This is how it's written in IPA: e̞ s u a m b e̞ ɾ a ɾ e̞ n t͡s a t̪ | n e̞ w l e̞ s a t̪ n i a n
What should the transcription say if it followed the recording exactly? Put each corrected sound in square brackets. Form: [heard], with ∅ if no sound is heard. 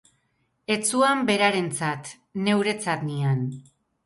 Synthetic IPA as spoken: e̞ [t͡s] u a m b e̞ ɾ a ɾ e̞ n t͡s a t̪ | n e̞ w [ɾ] e̞ [t͡s] a t̪ n i a n

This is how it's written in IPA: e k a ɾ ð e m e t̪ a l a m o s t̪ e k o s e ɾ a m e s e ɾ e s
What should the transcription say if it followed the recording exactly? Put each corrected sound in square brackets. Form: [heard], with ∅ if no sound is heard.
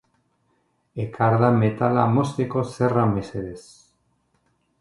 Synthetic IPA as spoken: e k a ɾ ð [a] m e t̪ a l a m o s t̪ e k o s e [r] a m e s e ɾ e s

